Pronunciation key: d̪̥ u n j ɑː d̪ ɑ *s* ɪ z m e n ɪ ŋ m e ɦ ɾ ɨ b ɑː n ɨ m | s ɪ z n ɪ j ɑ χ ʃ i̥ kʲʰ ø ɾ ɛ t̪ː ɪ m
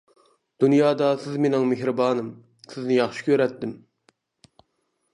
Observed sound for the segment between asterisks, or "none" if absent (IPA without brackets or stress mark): s